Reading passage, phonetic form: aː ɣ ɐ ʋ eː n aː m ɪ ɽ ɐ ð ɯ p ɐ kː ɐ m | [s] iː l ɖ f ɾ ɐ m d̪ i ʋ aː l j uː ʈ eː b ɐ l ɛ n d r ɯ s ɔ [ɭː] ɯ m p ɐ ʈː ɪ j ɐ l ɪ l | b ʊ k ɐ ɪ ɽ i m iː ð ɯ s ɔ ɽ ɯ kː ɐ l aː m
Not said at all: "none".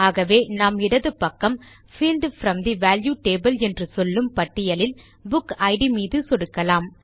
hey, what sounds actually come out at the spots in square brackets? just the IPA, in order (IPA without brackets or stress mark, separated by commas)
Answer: f, lː